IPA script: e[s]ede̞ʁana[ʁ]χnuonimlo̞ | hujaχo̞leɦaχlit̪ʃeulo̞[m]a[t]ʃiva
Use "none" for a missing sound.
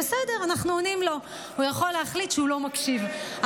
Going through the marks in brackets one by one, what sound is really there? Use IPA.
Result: s, none, m, k

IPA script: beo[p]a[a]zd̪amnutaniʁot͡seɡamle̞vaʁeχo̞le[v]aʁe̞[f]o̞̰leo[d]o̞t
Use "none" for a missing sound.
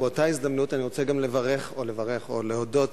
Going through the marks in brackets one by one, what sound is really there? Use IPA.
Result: t, i, v, χ, d

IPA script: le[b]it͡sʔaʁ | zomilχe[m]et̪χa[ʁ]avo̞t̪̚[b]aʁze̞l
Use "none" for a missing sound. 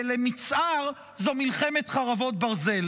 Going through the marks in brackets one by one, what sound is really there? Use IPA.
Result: m, m, ʁ, b

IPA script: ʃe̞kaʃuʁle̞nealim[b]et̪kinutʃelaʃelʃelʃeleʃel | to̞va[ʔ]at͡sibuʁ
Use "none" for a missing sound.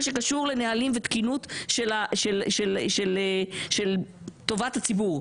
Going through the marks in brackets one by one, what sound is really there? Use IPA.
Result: v, t

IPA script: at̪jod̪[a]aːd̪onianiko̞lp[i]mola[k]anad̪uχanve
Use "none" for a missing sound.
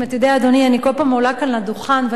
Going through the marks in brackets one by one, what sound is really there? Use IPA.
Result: e, a, k

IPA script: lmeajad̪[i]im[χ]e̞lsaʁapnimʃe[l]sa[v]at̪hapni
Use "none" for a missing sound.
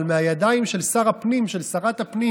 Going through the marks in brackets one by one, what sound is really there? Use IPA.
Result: a, ʃ, l, ʁ

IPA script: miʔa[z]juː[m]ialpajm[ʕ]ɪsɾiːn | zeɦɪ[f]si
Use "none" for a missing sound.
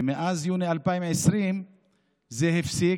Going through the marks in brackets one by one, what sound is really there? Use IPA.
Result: z, n, ʕ, f

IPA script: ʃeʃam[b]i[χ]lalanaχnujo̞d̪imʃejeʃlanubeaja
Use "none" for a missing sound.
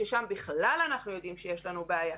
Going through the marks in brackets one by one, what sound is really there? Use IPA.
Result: b, χ

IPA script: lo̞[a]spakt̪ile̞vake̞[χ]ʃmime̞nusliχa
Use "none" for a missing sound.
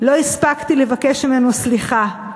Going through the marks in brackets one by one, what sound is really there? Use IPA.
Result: i, none

